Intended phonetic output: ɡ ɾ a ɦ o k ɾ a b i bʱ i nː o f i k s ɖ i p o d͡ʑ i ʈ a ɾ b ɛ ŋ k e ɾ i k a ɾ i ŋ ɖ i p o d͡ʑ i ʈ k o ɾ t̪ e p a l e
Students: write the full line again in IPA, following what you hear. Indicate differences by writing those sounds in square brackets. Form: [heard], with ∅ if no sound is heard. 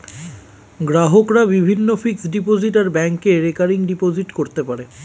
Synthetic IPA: ɡ ɾ a ɦ o k ɾ a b i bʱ i nː o f i k s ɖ i p o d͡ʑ i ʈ a ɾ b ɛ ŋ k e ɾ [e] k a ɾ i ŋ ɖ i p o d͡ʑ i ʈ k o ɾ t̪ e p a [ɾ] e